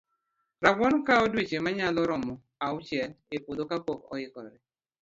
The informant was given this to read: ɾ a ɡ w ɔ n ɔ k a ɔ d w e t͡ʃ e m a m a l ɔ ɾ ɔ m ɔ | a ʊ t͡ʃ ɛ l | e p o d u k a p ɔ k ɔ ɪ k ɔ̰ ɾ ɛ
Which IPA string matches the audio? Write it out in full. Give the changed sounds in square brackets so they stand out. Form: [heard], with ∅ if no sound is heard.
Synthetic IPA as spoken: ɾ a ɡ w ɔ n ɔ k a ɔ d w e t͡ʃ e m a [ɲ] a l ɔ ɾ ɔ m ɔ | a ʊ t͡ʃ ɛ l | e p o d [o] k a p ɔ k ɔ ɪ k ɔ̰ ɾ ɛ